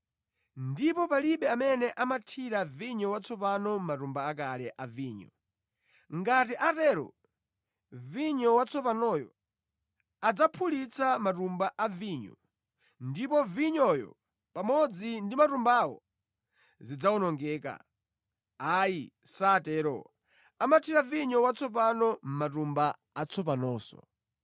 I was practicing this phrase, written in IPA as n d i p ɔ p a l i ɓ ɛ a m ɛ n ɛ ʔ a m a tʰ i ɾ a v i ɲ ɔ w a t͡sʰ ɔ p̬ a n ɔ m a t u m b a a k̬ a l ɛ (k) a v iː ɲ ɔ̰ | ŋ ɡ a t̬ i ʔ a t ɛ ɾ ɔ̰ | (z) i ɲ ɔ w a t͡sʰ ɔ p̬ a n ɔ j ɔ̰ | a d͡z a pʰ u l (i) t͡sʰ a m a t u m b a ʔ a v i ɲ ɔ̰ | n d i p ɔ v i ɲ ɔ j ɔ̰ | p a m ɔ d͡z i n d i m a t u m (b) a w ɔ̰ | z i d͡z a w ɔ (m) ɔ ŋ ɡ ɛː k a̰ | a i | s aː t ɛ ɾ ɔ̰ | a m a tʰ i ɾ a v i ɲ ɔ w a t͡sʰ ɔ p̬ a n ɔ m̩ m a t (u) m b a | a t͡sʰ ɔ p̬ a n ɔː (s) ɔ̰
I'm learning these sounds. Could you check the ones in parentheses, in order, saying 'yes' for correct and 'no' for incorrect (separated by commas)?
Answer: no, no, yes, yes, no, yes, yes